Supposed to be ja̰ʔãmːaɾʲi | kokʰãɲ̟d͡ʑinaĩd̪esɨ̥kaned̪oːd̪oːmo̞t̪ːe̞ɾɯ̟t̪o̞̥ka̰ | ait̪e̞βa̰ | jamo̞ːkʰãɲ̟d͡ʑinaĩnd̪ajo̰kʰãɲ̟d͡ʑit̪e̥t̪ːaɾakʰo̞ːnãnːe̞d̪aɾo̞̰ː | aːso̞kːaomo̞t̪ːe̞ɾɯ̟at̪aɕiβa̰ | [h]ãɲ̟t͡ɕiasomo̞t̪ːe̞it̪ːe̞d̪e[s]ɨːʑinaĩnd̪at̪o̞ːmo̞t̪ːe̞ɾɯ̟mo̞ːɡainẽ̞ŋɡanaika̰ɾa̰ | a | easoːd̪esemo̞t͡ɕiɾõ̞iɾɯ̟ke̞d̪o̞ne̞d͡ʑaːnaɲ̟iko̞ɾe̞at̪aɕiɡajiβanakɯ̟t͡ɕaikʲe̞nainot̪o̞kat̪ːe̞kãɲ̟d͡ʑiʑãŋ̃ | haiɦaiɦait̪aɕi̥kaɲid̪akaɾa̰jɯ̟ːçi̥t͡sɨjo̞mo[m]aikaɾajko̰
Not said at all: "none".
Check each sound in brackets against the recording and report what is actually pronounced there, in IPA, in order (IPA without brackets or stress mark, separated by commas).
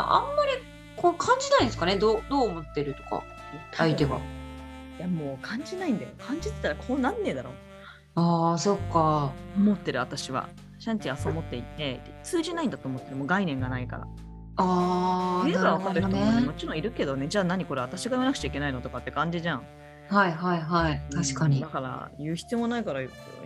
ɕ, t͡s, n